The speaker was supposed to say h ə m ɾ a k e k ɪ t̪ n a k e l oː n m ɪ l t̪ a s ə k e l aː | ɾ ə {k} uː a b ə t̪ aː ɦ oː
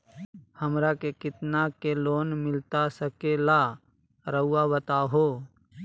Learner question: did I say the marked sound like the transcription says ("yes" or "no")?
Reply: no